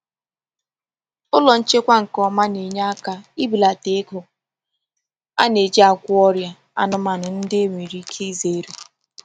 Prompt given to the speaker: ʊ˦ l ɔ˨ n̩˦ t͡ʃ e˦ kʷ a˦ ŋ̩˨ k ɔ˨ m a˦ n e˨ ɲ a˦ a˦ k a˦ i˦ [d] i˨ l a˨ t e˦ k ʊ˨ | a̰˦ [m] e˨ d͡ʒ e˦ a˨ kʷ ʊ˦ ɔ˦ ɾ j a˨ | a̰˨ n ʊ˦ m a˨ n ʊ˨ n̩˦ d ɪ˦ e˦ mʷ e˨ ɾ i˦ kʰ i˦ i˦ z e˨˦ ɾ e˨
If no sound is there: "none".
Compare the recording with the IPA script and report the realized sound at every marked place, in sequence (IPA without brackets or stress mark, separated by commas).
b, n